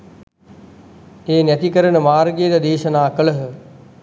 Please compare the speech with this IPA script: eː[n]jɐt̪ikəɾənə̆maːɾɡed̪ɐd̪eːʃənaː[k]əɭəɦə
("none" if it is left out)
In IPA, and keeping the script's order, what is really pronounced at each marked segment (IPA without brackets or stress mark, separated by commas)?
n, k